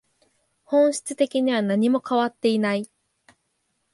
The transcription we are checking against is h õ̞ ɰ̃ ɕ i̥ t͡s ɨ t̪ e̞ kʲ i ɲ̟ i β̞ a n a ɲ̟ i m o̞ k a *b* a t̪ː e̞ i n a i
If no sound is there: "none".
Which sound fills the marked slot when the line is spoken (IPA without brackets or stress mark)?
β